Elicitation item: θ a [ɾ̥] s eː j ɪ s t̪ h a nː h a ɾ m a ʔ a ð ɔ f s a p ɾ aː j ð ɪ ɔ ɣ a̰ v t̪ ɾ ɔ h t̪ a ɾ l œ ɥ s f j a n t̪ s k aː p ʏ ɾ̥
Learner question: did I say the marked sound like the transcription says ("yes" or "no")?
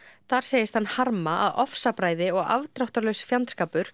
yes